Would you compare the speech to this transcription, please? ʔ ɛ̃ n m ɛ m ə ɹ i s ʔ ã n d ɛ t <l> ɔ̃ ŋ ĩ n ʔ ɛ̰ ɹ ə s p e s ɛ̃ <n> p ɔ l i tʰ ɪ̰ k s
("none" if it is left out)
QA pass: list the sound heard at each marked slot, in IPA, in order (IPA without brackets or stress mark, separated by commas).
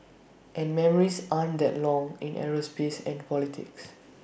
l, n